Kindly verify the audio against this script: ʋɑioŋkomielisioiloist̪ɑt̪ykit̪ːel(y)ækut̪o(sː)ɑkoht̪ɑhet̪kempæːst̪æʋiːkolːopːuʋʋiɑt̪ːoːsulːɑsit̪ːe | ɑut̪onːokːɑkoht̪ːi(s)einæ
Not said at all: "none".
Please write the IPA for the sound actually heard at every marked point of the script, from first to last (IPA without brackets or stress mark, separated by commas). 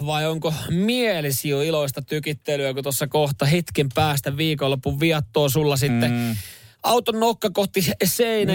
y, sː, s